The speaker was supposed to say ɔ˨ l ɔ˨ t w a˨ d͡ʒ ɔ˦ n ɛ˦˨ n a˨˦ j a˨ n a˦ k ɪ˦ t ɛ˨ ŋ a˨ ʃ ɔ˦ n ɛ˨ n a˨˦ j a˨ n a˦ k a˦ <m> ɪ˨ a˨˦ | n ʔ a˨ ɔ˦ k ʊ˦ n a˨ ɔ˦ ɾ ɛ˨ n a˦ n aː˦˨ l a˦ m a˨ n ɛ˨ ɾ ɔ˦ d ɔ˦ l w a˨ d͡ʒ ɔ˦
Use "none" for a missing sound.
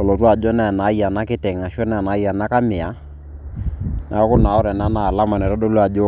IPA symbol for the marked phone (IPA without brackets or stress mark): m